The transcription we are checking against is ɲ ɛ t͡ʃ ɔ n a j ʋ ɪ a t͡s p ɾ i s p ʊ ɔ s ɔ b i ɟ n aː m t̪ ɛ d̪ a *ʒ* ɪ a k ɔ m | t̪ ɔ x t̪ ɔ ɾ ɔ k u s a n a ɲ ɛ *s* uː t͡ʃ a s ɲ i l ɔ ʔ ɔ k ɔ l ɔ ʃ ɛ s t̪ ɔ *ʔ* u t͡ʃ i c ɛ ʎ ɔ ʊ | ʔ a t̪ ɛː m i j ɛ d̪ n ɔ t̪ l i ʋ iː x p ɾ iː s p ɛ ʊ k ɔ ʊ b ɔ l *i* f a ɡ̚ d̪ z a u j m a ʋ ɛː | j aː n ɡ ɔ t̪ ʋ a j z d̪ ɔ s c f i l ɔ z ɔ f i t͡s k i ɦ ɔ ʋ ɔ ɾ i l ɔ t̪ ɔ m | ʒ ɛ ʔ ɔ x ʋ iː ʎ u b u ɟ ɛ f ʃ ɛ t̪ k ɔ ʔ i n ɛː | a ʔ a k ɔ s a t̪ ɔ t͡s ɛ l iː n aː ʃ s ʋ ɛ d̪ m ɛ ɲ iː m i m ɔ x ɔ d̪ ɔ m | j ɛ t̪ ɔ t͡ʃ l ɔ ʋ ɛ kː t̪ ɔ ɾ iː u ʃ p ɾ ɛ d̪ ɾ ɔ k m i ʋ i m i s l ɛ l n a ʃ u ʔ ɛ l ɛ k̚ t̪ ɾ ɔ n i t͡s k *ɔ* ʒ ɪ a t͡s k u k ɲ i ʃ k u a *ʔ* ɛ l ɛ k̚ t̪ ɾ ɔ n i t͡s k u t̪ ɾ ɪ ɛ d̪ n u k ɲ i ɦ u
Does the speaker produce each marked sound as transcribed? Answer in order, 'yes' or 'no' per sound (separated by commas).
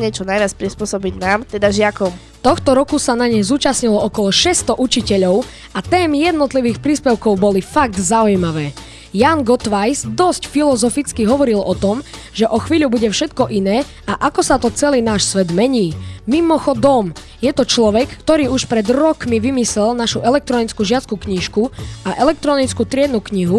yes, no, yes, yes, no, yes